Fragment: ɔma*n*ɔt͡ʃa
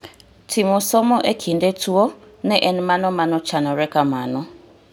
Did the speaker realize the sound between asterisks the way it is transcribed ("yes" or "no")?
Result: yes